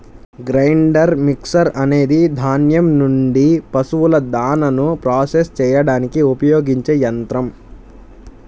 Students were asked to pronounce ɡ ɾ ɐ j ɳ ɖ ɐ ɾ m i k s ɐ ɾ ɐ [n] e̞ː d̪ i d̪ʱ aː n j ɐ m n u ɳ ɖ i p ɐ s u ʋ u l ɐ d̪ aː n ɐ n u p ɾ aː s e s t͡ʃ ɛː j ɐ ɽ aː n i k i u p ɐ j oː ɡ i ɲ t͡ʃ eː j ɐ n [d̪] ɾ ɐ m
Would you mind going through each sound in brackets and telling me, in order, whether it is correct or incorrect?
correct, incorrect: t̪

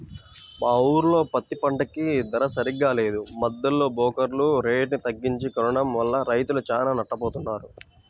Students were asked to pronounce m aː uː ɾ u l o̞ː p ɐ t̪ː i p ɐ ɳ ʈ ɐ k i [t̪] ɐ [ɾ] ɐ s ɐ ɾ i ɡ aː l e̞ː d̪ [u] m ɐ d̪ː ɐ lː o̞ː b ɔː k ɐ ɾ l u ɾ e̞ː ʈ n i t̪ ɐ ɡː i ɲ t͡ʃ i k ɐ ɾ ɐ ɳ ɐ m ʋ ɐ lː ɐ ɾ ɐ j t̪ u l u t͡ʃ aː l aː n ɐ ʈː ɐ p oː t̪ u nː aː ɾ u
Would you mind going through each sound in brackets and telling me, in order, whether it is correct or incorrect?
incorrect: d̪, correct, correct

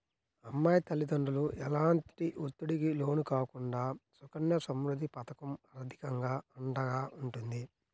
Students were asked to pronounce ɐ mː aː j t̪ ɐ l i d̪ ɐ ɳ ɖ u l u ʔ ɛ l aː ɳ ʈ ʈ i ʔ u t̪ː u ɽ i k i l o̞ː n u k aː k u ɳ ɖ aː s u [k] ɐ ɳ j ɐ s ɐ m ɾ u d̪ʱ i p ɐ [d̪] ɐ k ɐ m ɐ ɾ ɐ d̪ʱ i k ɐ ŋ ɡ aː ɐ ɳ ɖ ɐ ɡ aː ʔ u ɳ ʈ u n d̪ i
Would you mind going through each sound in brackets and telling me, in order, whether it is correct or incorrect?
correct, incorrect: t̪

